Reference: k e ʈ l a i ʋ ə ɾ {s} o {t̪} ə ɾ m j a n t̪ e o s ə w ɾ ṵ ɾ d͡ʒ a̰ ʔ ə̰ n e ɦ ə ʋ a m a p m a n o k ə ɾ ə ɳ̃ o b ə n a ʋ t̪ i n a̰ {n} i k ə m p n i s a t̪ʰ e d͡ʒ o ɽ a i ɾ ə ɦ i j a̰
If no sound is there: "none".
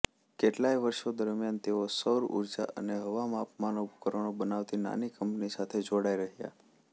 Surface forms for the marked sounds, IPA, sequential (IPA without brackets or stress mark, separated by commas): ʃ, d̪, n